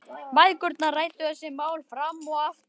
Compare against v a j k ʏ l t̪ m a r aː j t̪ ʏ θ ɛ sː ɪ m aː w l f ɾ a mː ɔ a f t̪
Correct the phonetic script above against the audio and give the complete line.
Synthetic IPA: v a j k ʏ ɾ t̪ n a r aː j t̪ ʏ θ ɛ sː ɪ m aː w l f ɾ a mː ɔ a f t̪